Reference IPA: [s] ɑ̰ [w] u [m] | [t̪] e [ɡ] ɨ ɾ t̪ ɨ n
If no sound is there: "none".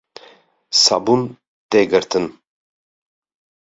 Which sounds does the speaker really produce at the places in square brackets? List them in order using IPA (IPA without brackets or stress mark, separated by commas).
s, b, n, t̪, ɡ